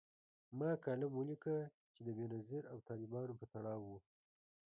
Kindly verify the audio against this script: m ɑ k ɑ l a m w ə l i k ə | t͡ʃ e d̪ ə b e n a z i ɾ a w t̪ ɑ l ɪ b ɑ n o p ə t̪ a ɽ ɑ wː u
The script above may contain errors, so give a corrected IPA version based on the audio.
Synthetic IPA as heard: m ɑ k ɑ l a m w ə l i k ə | t͡ʃ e d̪ ə b e n a z i ɾ a w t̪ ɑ l ɪ b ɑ n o p ə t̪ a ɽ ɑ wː u